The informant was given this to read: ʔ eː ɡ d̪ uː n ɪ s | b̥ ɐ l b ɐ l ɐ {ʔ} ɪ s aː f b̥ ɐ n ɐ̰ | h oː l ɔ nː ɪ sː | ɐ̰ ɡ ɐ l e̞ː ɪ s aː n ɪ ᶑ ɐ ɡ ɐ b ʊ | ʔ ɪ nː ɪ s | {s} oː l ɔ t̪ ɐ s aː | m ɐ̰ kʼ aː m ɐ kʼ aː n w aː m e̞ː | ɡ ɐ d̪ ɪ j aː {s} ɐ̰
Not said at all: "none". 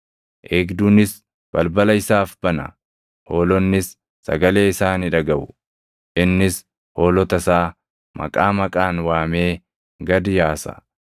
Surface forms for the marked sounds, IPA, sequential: none, h, s

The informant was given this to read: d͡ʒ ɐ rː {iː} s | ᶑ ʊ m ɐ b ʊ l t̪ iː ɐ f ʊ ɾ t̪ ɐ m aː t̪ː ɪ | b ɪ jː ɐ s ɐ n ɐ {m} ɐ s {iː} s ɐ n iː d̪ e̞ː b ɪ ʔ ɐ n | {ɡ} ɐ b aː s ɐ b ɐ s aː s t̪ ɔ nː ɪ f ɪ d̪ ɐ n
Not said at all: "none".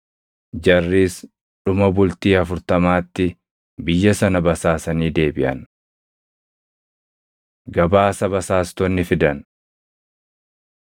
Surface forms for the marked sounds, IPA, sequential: iː, b, aː, ɡ

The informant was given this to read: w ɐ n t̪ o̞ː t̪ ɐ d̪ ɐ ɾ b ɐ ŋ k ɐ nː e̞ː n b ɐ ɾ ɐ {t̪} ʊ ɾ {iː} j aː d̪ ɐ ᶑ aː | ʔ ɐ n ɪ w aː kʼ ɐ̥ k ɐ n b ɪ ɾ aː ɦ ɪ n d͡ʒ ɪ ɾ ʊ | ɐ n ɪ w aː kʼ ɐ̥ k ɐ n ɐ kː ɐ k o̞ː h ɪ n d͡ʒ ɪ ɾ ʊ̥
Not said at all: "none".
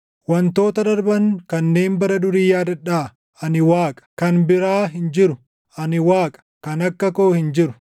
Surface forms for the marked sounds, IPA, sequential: d̪, iː

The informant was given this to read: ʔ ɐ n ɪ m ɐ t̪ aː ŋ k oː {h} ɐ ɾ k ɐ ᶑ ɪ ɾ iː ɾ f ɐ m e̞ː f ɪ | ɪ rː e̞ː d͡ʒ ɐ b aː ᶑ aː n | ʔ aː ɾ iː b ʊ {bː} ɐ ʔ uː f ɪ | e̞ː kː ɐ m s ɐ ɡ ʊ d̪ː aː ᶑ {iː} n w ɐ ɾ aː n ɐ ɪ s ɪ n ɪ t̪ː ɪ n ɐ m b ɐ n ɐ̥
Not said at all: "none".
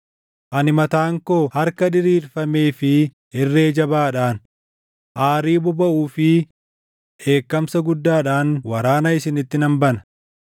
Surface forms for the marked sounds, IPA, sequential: h, b, aː

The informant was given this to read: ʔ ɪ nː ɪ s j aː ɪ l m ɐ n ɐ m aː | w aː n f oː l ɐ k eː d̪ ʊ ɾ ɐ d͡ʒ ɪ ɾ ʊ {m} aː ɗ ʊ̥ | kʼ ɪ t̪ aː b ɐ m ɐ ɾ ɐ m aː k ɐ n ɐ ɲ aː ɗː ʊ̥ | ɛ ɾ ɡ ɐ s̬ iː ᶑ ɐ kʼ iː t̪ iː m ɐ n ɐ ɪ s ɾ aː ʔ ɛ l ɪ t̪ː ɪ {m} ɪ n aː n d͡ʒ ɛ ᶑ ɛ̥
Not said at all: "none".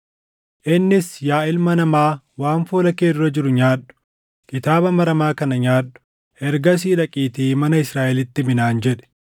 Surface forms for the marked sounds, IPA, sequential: ɲ, m

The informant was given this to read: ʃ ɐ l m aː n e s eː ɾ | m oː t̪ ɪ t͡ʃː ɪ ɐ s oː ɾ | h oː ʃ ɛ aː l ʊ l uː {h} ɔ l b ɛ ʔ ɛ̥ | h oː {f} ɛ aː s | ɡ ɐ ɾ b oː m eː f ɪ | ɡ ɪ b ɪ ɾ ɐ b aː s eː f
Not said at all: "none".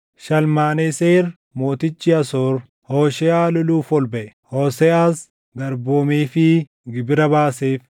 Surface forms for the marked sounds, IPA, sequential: f, s

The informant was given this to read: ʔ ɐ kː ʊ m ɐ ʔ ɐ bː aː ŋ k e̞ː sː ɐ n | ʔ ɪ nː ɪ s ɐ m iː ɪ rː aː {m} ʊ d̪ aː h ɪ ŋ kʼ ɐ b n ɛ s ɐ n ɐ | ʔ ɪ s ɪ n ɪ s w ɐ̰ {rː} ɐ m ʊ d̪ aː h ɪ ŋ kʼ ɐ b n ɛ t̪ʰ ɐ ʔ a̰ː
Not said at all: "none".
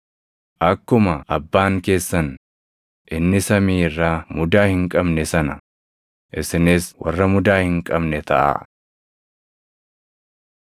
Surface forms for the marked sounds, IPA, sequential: m, rː

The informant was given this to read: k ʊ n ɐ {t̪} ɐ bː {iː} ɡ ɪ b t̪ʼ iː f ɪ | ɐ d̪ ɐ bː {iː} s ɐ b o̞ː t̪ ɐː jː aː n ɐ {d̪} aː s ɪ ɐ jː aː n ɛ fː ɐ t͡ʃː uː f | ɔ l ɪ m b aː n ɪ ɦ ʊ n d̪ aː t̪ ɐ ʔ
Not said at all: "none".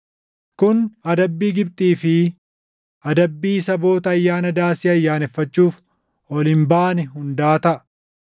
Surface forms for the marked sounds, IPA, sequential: d̪, iː, iː, d̪

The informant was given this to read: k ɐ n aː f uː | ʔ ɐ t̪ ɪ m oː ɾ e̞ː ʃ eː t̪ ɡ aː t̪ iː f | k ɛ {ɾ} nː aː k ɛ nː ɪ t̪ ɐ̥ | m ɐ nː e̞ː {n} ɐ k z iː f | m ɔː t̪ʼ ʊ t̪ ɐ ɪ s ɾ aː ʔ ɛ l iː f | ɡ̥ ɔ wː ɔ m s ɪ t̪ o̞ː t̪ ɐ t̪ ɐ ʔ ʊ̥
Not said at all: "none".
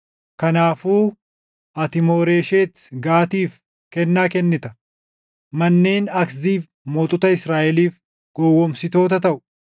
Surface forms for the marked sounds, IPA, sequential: none, n

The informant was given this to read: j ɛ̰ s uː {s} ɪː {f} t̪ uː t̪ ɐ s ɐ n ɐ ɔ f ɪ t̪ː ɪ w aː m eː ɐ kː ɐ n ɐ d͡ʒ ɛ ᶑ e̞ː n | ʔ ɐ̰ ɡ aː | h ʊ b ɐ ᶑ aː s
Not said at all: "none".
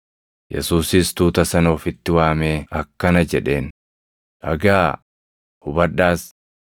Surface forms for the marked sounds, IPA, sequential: s, s

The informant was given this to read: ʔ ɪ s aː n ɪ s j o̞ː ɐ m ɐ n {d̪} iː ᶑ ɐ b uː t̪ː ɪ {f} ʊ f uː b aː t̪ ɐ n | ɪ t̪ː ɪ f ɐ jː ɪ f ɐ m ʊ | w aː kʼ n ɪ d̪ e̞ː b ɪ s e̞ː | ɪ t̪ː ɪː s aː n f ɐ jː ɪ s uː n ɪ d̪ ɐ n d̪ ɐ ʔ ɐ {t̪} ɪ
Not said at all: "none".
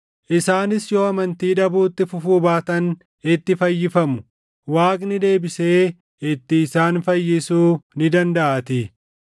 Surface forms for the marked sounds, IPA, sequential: t̪, f, t̪

